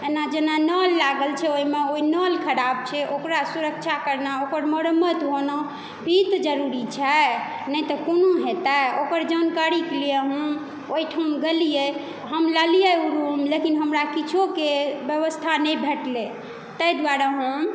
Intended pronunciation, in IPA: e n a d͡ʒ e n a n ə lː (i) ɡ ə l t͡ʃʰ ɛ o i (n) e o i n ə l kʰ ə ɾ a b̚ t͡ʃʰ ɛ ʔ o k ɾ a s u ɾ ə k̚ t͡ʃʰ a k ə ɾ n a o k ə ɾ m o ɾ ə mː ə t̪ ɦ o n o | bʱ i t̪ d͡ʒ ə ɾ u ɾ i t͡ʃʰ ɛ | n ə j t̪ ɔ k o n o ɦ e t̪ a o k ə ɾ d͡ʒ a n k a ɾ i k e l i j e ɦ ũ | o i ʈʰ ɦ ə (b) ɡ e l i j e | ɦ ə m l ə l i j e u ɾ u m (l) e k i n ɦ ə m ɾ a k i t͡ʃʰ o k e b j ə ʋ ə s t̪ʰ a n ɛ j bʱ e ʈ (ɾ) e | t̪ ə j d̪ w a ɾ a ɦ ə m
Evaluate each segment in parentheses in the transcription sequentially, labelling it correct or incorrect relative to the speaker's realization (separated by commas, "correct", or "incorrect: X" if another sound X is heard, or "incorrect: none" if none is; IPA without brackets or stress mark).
incorrect: a, incorrect: m, incorrect: m, correct, incorrect: l